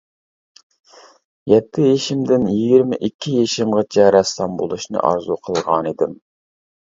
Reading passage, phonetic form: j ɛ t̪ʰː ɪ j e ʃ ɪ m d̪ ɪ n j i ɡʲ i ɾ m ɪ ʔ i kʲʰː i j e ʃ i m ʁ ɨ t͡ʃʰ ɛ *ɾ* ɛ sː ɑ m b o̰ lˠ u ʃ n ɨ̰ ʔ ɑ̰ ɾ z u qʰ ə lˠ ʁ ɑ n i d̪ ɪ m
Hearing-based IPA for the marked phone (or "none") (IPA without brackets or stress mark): ɾ